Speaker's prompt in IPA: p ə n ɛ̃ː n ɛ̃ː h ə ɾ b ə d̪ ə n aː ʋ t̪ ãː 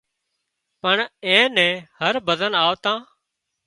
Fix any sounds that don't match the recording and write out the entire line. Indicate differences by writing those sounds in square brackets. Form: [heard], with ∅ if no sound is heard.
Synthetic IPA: p ə [ɳ] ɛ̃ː n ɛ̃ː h ə ɾ b ə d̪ ə n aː ʋ t̪ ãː